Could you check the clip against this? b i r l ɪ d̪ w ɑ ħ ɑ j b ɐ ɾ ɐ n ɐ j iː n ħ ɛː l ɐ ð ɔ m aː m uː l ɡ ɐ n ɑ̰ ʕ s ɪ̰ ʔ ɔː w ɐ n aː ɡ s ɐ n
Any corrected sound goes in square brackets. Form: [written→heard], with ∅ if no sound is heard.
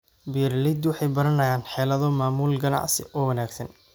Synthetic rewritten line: b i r l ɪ d̪ w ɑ ħ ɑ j b ɐ ɾ ɐ n ɐ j [iː→aː] n ħ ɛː l ɐ ð ɔ m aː m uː l ɡ ɐ n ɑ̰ ʕ s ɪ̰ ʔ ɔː w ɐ n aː ɡ s ɐ n